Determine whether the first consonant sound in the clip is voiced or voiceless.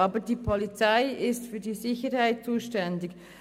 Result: voiced